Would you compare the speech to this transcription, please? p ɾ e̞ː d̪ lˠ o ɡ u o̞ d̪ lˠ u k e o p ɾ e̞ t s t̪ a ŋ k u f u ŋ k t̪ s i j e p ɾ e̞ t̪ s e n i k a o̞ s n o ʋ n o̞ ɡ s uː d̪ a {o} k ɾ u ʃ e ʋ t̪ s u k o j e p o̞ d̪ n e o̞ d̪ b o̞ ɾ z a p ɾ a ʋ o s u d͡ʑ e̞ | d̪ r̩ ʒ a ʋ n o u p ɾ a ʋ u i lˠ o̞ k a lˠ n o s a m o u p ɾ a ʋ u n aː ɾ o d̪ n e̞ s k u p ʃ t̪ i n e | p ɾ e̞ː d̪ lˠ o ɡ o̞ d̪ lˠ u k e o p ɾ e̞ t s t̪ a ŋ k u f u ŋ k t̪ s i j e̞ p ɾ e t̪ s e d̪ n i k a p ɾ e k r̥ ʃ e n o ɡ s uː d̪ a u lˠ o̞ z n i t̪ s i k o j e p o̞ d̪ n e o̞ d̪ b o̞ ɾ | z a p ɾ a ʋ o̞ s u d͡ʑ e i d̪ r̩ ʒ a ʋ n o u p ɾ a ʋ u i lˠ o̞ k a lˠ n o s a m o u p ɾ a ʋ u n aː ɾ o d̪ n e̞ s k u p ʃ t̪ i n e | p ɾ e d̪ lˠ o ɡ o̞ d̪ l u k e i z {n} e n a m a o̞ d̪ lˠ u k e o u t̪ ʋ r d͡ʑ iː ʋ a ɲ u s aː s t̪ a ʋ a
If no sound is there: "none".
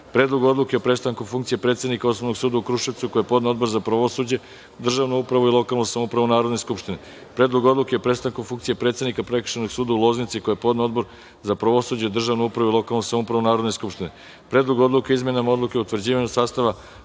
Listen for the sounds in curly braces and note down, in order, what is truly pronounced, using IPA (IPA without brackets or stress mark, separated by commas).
u, m